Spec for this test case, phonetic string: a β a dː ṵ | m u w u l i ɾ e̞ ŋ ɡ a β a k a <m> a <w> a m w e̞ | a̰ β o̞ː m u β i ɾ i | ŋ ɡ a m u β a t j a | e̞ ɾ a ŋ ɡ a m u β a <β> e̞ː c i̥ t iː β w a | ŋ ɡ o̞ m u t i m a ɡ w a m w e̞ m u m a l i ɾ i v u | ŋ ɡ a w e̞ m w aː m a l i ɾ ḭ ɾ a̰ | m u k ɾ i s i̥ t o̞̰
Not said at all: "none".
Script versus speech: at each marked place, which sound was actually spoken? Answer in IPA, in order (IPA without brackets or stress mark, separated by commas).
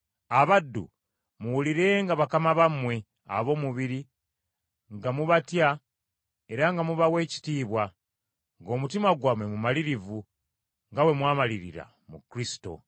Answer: m, β, w